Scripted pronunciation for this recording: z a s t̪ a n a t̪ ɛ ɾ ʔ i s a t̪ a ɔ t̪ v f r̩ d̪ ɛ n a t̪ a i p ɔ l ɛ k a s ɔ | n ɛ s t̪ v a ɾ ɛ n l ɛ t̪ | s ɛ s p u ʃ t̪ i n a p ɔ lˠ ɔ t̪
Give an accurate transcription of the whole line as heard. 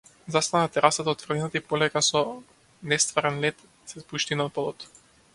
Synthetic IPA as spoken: z a s t̪ a n a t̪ ɛ ɾ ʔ a s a t̪ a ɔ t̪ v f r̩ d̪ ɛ n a t̪ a i p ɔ l ɛ k a s ɔ | n ɛ s t̪ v a ɾ ɛ n l ɛ t̪ | s ɛ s p u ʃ t̪ i n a p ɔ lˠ ɔ t̪